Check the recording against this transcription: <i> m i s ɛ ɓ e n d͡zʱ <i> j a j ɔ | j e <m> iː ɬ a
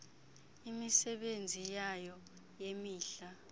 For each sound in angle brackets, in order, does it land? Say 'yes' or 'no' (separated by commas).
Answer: yes, yes, yes